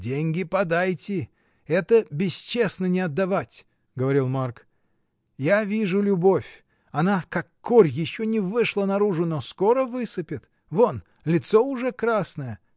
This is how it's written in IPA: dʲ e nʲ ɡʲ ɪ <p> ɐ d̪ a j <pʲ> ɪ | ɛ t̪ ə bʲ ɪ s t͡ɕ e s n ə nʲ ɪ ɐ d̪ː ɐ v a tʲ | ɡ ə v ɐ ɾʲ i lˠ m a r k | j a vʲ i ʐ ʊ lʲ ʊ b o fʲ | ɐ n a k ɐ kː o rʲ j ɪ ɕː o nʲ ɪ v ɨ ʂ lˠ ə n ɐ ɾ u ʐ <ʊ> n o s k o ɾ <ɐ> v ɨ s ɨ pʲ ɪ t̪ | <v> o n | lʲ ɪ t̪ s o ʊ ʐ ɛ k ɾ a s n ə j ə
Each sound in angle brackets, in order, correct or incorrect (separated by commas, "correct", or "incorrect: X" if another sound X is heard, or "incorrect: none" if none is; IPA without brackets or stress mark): correct, incorrect: tʲ, correct, incorrect: ə, correct